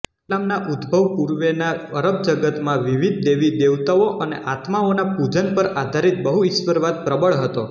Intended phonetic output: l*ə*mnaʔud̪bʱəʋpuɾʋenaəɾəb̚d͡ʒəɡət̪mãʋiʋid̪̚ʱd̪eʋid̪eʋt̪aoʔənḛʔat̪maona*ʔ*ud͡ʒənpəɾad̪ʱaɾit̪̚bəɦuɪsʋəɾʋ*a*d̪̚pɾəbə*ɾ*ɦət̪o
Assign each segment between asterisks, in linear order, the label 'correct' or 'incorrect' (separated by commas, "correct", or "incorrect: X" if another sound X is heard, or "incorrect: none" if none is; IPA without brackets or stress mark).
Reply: incorrect: a, incorrect: p, correct, incorrect: ɭ